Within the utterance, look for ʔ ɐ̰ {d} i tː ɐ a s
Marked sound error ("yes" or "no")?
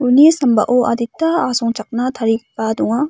no